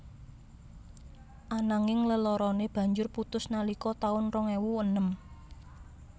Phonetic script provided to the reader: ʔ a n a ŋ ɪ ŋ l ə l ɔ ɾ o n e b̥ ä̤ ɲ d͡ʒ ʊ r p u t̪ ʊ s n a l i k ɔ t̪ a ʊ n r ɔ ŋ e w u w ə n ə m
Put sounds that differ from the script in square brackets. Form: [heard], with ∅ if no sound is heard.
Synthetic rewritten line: ʔ a n a ŋ ɪ ŋ l ə l ɔ ɾ [ɔ] n e b̥ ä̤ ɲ d͡ʒ ʊ r p u t̪ ʊ s n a l i k ɔ t̪ a ʊ n r ɔ ŋ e w u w ə n ə m